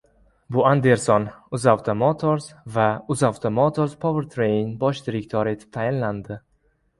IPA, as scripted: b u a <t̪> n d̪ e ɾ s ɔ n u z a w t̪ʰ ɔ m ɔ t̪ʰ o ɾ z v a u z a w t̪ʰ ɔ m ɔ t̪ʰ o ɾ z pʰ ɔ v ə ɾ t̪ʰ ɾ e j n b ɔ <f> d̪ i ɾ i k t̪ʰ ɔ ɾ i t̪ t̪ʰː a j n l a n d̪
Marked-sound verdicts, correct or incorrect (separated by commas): incorrect, incorrect